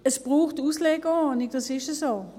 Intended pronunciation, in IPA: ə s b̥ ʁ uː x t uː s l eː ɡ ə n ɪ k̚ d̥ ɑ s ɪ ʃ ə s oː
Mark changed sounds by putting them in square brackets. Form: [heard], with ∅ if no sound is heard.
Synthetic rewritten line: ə s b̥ ʁ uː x t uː s l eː ɡ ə n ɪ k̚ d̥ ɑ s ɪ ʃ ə s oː